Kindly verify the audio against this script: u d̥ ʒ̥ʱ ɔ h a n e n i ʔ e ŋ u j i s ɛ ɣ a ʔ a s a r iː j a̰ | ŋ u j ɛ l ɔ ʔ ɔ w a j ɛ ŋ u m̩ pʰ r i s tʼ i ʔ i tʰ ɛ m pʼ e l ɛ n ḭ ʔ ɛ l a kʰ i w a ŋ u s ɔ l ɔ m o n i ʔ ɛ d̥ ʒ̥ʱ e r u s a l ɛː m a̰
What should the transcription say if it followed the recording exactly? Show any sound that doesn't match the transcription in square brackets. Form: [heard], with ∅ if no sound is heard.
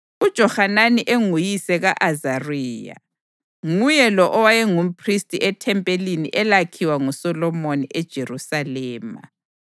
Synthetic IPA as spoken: u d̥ ʒ̥ʱ ɔ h a n [a] n i ʔ e ŋ u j i s ɛ ɣ a ʔ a [z] a r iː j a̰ | ŋ u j ɛ l ɔ ʔ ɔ w a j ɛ ŋ u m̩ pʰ r i s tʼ i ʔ [ɛ] tʰ ɛ m pʼ e l [i] n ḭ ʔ ɛ l a kʰ i w a ŋ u s ɔ l ɔ m o n i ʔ ɛ d̥ ʒ̥ʱ e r u s a l ɛː m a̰